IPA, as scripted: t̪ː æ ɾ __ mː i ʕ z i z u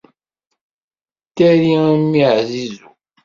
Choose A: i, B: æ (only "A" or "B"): A